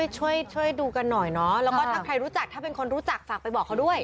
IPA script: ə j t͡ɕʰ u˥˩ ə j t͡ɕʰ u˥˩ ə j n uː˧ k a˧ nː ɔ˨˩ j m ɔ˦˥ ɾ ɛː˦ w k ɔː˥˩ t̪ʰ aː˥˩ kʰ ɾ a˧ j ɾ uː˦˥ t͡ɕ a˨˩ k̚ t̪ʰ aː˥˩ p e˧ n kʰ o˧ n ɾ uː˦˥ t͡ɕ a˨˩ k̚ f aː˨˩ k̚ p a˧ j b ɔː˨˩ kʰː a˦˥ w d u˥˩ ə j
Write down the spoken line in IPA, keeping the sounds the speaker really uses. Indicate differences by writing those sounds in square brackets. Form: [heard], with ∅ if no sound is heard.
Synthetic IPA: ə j t͡ɕʰ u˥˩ ə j t͡ɕʰ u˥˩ ə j [d] uː˧ k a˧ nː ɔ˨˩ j [n] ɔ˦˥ [l] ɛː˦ w k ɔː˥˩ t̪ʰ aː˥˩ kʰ ɾ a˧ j ɾ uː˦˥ t͡ɕ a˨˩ k̚ t̪ʰ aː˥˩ p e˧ n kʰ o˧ n ɾ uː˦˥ t͡ɕ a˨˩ k̚ f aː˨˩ k̚ p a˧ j b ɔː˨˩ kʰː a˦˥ w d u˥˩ ə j